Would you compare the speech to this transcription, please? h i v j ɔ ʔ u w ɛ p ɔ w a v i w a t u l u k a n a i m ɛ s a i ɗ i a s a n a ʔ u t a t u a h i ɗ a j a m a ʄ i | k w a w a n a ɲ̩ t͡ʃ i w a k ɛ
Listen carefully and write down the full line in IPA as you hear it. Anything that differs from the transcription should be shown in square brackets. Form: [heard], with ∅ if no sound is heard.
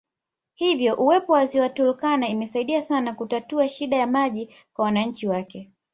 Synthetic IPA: h i v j ɔ ʔ u w ɛ p ɔ w a [z] i w a t u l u k a n a i m ɛ s a i ɗ i a s a n a [k] u t a t u a [ʃ] i ɗ a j a m a ʄ i | k w a w a n a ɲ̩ t͡ʃ i w a k ɛ